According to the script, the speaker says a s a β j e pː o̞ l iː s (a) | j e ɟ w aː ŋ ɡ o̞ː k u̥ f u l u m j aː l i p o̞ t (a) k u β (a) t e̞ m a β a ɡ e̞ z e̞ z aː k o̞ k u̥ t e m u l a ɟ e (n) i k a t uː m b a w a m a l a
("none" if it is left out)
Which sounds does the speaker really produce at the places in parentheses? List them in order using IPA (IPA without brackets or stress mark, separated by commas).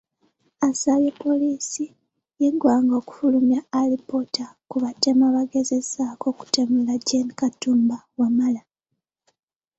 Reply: i, a, a, n